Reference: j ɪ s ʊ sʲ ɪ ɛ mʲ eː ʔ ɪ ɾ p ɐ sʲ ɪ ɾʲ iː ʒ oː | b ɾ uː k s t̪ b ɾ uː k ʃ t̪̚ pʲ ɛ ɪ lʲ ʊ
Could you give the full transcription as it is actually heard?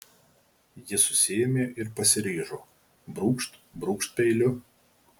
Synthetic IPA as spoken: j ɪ s ʊ sʲ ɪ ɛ mʲ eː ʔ ɪ ɾ p ɐ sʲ ɪ ɾʲ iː ʒ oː | b ɾ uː k ʃ t̪ b ɾ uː k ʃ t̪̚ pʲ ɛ ɪ lʲ ʊ